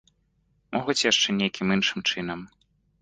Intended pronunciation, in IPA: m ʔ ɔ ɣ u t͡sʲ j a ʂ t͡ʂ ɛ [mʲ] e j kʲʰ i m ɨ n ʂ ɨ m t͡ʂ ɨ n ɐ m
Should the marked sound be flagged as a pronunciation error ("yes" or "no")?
yes